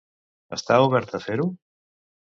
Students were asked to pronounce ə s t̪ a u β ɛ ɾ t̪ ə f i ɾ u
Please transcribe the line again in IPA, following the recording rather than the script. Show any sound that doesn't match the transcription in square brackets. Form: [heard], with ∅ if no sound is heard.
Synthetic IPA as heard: ə s t̪ a u β ɛ ɾ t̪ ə f [e] ɾ u